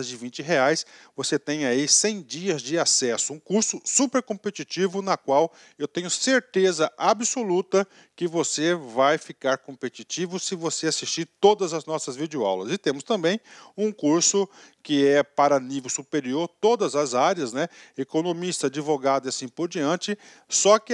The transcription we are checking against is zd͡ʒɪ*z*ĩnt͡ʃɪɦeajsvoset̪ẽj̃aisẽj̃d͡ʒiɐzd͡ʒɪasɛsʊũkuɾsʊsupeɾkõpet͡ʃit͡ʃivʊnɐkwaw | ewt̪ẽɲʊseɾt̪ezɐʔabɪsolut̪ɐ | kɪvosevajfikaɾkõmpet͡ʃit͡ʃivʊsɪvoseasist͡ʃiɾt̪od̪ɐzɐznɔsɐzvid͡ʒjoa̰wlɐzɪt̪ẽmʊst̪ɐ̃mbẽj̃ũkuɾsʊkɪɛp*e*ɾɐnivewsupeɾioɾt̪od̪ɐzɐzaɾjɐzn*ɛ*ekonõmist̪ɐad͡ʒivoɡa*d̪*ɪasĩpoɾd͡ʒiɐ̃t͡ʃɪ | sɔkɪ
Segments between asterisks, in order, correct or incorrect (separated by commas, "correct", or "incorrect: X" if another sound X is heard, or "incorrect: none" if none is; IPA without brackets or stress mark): incorrect: v, incorrect: a, correct, correct